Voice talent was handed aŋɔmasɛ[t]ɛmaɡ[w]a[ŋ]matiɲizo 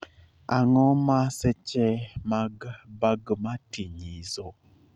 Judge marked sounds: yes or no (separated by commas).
no, no, no